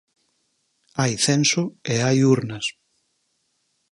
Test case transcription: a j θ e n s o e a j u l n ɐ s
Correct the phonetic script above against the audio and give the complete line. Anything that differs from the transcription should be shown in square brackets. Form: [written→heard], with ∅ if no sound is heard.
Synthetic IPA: a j θ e n s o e a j u [l→ɾ] n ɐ s